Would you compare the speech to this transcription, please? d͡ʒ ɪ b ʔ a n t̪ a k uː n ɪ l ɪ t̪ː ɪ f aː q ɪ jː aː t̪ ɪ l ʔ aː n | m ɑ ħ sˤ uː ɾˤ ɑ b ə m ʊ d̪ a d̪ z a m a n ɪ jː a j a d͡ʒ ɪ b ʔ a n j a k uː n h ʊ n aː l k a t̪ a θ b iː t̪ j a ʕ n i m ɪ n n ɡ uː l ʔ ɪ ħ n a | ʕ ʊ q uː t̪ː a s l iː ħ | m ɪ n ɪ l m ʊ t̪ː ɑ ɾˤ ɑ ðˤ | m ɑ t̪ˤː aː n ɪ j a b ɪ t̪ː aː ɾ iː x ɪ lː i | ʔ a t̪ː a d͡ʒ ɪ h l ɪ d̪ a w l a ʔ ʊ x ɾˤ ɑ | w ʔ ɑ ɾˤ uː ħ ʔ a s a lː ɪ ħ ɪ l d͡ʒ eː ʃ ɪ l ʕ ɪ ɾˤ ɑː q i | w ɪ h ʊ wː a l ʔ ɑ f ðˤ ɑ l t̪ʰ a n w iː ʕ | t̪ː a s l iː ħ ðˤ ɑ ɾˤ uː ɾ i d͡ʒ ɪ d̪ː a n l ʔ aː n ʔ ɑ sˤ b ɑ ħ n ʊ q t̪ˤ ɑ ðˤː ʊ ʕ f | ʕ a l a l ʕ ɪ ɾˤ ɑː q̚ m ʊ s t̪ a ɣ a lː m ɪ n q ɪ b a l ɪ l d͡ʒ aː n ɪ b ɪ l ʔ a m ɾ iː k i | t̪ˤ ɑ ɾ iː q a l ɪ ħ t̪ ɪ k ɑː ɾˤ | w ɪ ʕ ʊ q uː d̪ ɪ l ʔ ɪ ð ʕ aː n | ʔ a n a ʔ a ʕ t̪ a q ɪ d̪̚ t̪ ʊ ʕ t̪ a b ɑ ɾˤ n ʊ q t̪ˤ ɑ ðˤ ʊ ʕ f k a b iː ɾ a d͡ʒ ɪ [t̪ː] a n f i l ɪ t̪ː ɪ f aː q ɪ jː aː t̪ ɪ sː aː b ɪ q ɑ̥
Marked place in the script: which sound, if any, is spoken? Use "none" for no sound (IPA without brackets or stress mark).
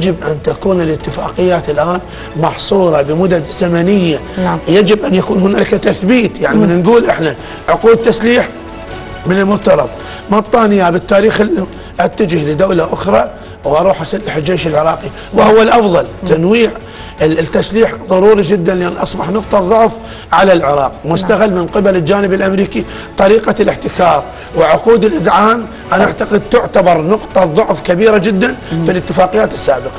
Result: d̪ː